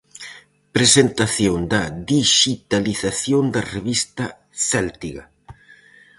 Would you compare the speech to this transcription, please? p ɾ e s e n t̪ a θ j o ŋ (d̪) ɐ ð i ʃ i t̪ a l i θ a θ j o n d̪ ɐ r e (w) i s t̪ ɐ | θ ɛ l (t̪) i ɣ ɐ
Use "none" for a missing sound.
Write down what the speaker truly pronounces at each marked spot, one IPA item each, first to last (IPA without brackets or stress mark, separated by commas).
d̪, β, t̪